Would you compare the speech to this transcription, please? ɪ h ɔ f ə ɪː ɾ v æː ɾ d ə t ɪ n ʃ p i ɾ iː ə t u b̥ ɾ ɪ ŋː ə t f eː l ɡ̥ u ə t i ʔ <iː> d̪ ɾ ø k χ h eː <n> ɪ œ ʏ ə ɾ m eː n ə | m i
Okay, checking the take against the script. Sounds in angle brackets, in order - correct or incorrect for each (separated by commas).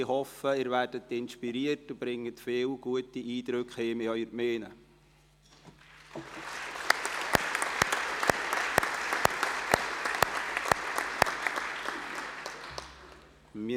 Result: correct, incorrect